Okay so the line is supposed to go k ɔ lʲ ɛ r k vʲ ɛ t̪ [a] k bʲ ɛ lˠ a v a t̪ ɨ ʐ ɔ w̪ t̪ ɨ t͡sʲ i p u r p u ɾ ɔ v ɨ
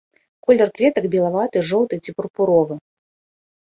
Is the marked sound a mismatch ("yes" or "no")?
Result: yes